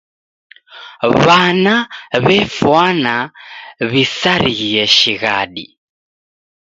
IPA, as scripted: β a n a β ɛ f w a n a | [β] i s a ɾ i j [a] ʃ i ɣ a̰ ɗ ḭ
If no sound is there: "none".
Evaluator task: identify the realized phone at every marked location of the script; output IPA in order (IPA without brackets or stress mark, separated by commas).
β, ɛ